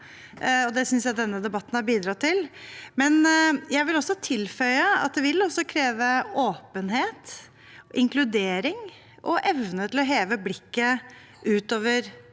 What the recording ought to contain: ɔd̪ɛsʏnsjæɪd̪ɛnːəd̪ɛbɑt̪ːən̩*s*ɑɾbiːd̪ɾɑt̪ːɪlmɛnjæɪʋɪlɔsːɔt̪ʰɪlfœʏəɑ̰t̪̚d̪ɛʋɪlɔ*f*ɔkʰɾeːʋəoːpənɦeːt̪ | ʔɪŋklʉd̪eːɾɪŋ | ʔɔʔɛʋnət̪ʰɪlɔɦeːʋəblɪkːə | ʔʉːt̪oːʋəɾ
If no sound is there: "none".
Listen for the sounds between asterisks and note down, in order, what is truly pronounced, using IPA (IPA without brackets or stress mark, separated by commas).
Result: h, s